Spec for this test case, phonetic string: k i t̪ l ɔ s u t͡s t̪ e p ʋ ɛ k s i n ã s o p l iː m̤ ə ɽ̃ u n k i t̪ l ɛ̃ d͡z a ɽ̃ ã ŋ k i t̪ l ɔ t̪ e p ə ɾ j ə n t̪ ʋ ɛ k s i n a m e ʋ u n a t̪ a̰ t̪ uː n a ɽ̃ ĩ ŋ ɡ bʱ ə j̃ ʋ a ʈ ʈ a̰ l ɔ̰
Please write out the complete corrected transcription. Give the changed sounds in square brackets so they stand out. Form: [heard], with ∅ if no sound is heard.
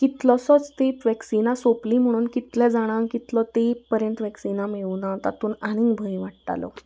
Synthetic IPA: k i t̪ l ɔ s [ɔ] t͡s t̪ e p ʋ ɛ k s i n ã s o p l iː m̤ ə ɽ̃ [uː] n k i t̪ l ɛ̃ d͡z a ɽ̃ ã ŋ k i t̪ l ɔ t̪ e p ə ɾ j ə n t̪ ʋ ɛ k s i n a m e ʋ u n a t̪ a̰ t̪ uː n a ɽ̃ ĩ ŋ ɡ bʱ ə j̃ ʋ a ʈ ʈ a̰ l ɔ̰